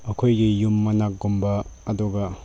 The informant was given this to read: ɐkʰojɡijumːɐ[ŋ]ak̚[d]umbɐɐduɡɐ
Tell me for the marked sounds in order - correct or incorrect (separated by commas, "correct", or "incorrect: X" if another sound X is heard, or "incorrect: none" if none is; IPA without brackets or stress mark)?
incorrect: n, incorrect: ɡ